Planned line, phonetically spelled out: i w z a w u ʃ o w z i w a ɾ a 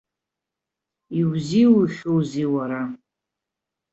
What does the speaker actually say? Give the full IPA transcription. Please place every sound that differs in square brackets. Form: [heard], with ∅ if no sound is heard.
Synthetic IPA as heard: i w z [i] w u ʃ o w z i w a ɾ a